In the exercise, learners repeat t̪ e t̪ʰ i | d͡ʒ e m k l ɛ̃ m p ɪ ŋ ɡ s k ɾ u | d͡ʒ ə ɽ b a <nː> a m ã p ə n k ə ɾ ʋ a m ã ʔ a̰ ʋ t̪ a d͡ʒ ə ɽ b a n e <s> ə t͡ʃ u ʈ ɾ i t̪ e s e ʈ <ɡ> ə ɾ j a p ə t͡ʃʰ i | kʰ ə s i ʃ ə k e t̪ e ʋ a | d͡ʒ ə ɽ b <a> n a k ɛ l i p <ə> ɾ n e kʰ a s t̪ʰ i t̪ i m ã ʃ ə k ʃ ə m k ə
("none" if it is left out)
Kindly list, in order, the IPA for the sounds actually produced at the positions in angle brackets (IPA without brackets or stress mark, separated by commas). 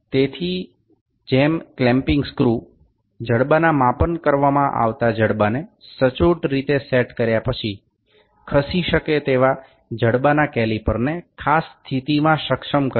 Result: n, s, k, a, ə